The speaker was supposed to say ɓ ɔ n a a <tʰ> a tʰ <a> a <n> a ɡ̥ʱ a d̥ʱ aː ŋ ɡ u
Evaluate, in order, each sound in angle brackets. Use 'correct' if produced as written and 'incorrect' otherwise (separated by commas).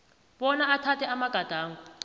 correct, incorrect, incorrect